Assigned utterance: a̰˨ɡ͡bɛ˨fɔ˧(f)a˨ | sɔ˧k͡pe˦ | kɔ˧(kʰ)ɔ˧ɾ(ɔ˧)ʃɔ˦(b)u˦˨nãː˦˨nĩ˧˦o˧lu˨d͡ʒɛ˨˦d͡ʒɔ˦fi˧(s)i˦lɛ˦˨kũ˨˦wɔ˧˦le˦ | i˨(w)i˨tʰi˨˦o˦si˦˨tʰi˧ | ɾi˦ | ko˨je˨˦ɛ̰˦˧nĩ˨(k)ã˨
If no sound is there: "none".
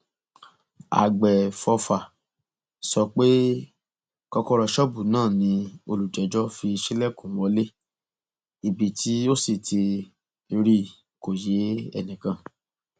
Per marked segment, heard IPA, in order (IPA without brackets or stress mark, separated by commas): f, k, ɔ˧, b, ʃ, b, k